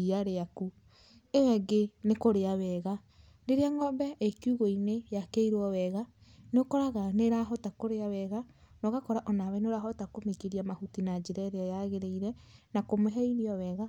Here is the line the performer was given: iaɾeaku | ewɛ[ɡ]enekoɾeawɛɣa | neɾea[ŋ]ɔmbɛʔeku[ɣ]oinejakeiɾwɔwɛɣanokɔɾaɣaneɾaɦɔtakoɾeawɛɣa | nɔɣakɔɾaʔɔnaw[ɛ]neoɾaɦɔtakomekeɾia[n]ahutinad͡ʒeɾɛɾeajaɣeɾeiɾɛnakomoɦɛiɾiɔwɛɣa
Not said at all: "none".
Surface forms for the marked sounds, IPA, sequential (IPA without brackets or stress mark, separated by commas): ɡ, ŋ, ɣ, ɛ, m